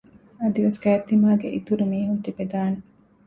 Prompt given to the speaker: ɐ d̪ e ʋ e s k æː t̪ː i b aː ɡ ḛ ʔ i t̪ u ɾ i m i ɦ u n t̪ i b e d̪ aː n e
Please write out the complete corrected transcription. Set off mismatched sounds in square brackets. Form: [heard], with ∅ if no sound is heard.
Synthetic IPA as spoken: ɐ d̪ [i] ʋ e s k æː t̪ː i [m] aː ɡ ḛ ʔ i t̪ u ɾ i m [iː] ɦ u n t̪ i b e d̪ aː n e

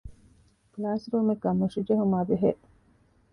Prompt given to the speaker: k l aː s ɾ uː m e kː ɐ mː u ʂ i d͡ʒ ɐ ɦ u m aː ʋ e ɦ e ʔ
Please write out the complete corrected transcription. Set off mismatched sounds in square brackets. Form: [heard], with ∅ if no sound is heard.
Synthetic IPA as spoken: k l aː s ɾ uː m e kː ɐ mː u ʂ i d͡ʒ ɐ ɦ u m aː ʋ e ɦ e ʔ

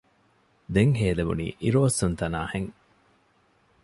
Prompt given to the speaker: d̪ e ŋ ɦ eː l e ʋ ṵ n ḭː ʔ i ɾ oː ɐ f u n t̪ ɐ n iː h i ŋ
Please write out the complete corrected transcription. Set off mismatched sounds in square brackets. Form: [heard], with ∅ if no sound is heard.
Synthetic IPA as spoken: d̪ e ŋ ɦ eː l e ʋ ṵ n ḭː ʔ i ɾ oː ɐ [s] u n t̪ ɐ n [aː] h [e] ŋ

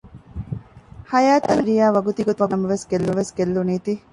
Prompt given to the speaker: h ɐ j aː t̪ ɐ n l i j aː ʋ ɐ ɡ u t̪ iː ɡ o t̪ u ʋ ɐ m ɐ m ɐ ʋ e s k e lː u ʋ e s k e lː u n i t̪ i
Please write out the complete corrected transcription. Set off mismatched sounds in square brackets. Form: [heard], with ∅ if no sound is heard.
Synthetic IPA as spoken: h ɐ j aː t̪ ɐ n [ɾ] i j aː ʋ ɐ ɡ u t̪ [i] ɡ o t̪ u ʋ ɐ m ɐ m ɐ ʋ e s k e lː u ʋ e s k e lː u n [iː] t̪ i

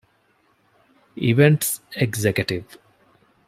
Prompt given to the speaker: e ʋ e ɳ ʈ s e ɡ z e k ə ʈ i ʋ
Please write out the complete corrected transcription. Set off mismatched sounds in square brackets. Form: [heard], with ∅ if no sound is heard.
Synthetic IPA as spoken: [i] ʋ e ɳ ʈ s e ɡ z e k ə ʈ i ʋ

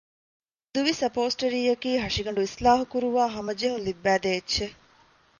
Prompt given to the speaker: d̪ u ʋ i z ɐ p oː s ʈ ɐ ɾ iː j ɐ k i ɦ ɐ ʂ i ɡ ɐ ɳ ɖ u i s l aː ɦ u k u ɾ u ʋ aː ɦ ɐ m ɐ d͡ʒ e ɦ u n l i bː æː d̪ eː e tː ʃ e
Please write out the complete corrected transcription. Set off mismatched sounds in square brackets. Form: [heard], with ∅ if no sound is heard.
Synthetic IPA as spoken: d̪ u ʋ i [s] ɐ p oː s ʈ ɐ ɾ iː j ɐ k [iː] ɦ ɐ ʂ i ɡ ɐ ɳ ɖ u i s l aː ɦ u k u ɾ u ʋ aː ɦ ɐ m ɐ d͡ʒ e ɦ u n l i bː æː d̪ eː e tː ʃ e

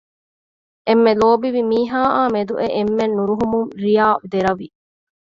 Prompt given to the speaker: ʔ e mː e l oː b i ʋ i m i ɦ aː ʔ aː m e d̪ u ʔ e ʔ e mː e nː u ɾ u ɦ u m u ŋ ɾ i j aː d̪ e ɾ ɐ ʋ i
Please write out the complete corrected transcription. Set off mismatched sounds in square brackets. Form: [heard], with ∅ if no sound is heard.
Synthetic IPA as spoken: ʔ e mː e l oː b i ʋ i m [iː] ɦ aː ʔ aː m e d̪ u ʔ e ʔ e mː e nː u ɾ u ɦ u m u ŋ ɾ i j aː d̪ e ɾ ɐ ʋ i

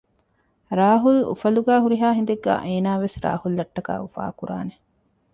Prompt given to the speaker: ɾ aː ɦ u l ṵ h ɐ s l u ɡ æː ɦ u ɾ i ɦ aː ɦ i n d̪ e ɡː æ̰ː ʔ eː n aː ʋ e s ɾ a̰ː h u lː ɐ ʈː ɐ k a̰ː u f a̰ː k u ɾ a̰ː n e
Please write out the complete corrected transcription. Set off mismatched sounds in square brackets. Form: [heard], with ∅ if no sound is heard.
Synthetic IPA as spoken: ɾ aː ɦ u l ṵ [f] ɐ [∅] l u ɡ æː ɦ u ɾ i ɦ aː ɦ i n d̪ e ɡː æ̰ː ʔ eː n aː ʋ e s ɾ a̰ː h u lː ɐ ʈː ɐ k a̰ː u f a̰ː k u ɾ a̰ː n e

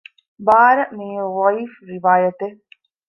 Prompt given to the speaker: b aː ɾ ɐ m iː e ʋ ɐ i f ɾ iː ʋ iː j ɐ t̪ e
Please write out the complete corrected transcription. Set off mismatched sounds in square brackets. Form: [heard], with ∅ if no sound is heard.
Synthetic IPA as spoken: b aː ɾ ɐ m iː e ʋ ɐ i f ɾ [i] ʋ [aː] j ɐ t̪ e

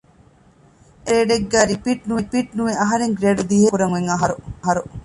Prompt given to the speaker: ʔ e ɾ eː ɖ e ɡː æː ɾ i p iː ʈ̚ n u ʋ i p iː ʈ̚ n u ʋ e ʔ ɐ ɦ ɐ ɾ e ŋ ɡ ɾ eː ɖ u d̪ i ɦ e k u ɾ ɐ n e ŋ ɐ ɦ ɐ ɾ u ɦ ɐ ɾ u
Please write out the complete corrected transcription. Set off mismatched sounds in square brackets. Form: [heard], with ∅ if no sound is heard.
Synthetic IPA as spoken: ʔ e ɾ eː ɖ e ɡː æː ɾ i p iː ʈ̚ n u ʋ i p iː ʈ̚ n u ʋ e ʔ ɐ ɦ ɐ ɾ e ŋ ɡ ɾ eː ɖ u d̪ i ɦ e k u ɾ ɐ [ŋ] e ŋ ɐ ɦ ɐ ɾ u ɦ ɐ ɾ u

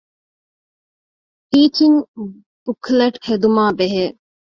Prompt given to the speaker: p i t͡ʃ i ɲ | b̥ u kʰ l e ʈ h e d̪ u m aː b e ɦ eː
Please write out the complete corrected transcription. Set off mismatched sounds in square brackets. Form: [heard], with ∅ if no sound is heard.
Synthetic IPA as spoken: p [iː] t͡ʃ i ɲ | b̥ u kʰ l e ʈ h e d̪ u m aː b e ɦ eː

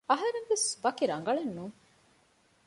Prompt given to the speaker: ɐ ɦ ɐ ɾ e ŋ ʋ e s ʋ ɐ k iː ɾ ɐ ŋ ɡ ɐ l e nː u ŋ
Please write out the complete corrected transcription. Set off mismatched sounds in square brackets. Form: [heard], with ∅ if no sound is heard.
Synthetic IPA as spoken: ɐ ɦ ɐ ɾ e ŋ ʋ e s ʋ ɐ k [i] ɾ ɐ ŋ ɡ ɐ [ɭ] e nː u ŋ

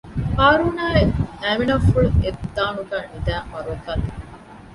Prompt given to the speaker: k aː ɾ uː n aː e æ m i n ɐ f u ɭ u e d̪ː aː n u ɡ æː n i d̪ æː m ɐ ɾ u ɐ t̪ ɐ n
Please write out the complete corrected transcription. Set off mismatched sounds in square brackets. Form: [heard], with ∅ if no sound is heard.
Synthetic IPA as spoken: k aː ɾ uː n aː e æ m i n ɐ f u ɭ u e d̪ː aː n u ɡ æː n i d̪ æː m ɐ ɾ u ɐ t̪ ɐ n

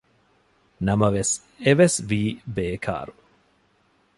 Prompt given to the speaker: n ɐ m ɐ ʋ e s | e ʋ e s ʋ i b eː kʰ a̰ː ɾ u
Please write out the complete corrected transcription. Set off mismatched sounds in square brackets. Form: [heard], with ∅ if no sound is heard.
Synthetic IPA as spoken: n ɐ m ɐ ʋ e s | e ʋ e s ʋ [iː] b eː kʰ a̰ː ɾ u

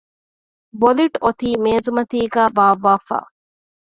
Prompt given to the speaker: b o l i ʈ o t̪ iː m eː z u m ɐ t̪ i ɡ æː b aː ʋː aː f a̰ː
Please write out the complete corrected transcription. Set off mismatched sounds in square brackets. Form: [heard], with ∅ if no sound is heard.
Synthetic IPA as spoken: b o l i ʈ o t̪ iː m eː z u m ɐ t̪ [iː] ɡ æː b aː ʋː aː f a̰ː

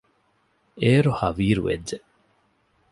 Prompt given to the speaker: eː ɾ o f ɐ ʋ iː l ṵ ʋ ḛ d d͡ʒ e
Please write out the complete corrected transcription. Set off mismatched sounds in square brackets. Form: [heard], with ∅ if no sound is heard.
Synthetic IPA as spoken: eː ɾ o [h] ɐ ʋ iː [ɾ] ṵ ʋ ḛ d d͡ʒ e

